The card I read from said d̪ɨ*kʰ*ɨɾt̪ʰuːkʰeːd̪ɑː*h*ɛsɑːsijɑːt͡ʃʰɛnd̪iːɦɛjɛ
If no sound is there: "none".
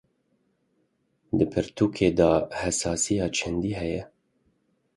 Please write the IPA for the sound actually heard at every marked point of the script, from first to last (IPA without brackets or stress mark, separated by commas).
pʰ, h